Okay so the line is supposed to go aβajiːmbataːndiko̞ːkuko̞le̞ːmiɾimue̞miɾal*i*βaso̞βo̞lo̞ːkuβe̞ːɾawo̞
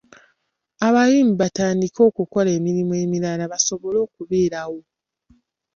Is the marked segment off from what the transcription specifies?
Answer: yes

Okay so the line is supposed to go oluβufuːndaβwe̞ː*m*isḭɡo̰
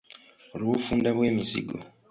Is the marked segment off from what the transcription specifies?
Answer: no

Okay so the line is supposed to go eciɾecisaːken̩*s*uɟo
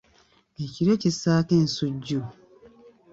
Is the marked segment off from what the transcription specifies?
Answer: no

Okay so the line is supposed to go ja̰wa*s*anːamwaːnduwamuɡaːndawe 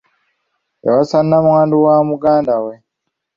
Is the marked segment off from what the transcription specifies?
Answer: no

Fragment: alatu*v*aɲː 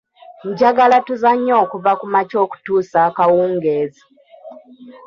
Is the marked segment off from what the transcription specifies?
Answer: yes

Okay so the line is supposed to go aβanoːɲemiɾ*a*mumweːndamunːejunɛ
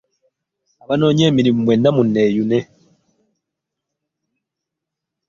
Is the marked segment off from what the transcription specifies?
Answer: yes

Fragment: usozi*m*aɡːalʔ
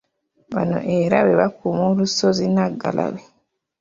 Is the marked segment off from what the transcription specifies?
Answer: yes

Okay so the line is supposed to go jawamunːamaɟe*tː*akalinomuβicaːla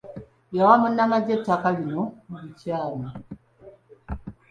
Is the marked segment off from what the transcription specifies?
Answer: no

